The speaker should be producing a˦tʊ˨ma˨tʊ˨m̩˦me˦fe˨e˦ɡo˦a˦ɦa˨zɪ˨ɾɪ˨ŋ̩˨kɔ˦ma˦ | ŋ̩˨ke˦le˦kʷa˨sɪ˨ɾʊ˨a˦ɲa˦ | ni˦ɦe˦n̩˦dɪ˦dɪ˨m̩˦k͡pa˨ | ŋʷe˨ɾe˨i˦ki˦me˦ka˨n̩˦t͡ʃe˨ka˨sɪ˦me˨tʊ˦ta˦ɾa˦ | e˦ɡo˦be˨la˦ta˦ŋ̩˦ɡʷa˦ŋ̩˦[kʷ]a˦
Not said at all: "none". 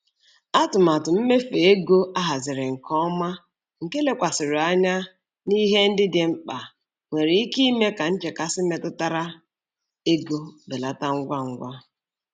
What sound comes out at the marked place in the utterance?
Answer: ɡʷ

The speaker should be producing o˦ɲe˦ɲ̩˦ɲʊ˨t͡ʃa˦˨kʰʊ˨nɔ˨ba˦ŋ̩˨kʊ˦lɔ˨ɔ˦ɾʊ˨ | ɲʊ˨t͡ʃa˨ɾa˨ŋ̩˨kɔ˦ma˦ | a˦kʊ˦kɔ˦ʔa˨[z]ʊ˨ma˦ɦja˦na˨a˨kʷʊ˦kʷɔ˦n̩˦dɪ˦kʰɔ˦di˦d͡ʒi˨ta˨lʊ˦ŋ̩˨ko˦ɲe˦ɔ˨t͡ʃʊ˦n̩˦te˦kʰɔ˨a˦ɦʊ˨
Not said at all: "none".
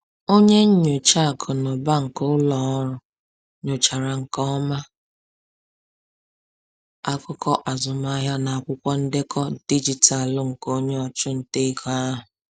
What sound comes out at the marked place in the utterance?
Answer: z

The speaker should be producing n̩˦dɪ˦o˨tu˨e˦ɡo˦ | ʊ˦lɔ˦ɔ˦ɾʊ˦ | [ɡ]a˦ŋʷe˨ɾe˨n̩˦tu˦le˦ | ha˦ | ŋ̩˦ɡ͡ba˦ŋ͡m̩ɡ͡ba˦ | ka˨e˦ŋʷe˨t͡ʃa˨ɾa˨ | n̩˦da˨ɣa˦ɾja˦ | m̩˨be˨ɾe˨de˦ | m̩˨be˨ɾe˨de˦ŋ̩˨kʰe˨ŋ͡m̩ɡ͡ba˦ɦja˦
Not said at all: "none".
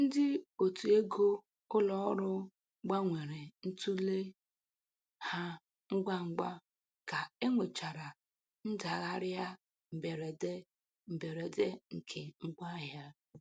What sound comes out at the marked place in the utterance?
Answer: ɡ͡b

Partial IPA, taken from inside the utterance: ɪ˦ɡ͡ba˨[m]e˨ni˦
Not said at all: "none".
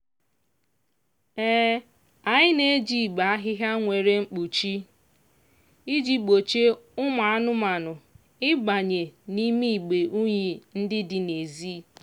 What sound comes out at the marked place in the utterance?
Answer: ɲ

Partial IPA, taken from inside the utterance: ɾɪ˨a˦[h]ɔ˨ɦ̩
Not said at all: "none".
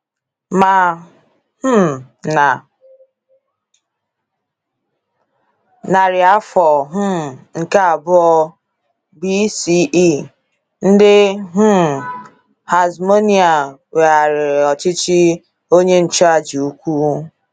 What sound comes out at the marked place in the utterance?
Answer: f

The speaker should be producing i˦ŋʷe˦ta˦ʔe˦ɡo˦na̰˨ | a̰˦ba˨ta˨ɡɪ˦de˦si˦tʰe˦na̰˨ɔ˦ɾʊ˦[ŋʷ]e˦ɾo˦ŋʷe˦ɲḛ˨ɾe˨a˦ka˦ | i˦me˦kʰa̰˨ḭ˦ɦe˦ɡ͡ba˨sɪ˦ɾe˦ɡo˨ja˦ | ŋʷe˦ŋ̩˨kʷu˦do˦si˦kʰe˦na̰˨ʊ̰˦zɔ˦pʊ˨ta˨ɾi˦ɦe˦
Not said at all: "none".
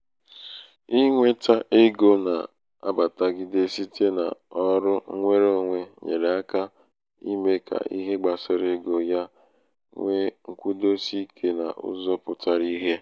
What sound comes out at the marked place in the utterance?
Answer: ŋʷ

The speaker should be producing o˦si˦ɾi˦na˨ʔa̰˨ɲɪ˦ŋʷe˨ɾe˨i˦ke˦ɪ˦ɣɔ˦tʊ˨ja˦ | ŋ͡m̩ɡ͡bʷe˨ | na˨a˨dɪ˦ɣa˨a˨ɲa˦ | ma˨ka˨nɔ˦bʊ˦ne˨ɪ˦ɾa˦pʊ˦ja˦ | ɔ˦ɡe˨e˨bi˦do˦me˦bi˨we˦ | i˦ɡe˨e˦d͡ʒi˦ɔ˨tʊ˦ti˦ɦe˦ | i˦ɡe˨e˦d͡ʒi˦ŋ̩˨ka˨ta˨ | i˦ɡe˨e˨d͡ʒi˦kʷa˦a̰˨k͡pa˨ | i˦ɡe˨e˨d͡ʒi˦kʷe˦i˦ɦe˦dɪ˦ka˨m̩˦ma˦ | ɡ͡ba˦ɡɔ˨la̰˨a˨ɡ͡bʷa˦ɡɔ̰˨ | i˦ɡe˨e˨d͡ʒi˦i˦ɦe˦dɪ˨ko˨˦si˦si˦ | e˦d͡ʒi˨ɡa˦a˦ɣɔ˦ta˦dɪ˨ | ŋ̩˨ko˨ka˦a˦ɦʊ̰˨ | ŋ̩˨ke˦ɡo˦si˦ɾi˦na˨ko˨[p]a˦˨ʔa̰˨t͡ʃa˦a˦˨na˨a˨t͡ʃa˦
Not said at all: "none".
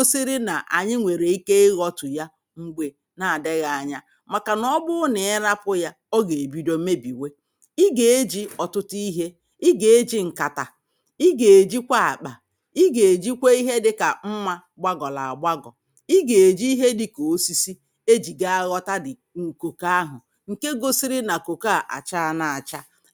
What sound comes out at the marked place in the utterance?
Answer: k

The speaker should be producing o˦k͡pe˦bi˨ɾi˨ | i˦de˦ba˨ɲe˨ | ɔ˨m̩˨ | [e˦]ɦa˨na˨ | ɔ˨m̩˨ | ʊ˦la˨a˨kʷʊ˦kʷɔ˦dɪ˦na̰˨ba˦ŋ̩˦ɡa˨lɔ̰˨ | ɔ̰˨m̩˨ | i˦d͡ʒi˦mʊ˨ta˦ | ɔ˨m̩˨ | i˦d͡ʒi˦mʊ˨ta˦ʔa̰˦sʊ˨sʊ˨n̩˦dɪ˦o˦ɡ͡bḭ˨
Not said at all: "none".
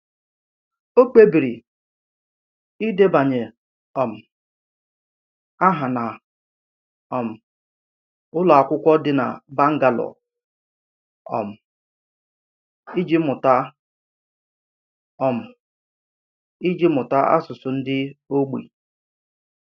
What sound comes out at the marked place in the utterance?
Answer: a˦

